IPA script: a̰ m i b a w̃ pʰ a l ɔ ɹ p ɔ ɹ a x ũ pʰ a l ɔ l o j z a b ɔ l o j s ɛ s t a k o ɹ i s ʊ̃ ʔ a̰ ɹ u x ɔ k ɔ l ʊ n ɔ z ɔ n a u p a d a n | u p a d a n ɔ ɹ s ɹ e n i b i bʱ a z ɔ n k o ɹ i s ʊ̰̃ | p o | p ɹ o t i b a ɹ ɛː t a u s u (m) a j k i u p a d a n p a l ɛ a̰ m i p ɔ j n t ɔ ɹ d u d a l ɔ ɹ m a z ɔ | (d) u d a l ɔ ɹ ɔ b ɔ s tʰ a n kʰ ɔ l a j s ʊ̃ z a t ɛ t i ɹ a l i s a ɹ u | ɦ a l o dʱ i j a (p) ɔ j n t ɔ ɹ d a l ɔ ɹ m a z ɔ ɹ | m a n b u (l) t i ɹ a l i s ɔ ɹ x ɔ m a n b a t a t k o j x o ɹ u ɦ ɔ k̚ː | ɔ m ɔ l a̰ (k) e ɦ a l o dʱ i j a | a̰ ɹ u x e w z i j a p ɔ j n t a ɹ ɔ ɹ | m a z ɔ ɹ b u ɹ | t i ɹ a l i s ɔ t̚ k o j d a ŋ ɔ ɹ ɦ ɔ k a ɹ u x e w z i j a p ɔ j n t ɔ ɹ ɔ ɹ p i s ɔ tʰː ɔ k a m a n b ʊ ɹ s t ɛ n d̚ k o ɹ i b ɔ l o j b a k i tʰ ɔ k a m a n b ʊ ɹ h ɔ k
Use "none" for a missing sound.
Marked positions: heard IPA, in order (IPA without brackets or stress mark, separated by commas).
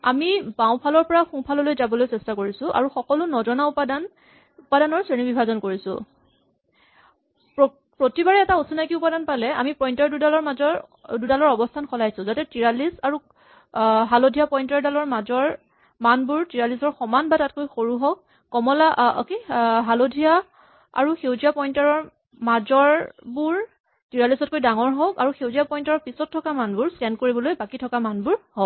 n, d, p, ɹ, k